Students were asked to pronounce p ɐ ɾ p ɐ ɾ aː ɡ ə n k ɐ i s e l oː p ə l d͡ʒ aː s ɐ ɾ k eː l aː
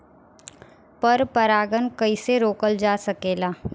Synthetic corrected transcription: p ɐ ɾ p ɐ ɾ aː ɡ ə n k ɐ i s e ɾ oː k ə l d͡ʒ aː s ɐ k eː l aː